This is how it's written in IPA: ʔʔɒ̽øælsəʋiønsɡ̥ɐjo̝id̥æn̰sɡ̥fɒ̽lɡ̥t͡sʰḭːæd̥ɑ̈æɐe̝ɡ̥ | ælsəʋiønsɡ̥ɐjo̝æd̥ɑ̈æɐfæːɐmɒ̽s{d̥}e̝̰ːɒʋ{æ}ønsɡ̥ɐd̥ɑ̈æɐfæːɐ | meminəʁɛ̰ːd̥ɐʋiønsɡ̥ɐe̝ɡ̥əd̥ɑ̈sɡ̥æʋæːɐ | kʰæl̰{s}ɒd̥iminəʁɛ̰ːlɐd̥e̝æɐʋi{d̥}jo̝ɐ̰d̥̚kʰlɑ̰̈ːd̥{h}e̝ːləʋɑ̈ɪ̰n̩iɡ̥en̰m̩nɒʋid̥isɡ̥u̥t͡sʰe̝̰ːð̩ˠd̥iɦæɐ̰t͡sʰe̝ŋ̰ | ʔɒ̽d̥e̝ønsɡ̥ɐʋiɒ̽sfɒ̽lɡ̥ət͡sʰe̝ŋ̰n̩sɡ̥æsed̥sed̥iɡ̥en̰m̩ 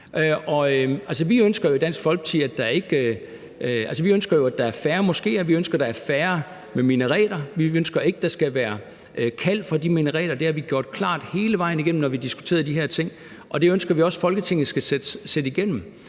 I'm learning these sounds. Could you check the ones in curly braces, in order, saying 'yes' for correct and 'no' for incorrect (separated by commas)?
no, no, no, no, yes